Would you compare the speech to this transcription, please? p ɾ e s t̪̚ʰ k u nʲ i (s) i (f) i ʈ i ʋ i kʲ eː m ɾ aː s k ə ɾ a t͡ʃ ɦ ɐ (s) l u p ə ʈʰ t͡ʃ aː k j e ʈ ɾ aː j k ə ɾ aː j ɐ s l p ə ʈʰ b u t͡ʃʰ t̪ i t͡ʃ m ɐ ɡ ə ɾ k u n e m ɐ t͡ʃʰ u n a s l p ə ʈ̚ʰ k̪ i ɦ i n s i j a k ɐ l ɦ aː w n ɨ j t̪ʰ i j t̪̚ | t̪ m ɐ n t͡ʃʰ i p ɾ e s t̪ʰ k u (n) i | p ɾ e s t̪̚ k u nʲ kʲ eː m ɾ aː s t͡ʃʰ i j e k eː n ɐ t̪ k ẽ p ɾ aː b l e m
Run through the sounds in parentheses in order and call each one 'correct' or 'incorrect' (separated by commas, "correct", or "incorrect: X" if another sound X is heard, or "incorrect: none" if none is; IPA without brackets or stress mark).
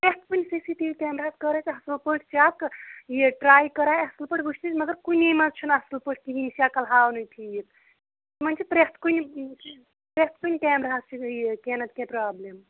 correct, incorrect: s, correct, correct